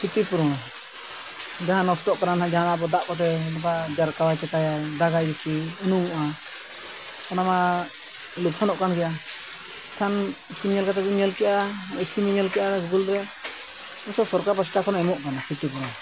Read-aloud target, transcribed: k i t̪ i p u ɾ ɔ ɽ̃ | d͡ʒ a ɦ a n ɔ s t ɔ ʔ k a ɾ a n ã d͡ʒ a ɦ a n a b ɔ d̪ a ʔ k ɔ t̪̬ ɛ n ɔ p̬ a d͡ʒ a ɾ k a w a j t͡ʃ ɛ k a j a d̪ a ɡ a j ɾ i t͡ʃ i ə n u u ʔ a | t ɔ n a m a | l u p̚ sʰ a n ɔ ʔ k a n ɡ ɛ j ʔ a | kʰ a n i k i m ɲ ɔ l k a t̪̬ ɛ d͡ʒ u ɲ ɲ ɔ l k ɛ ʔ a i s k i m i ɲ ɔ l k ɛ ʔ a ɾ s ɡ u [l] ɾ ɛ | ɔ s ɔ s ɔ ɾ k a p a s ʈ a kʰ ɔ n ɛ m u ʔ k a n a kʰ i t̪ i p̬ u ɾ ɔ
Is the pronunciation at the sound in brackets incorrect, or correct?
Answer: correct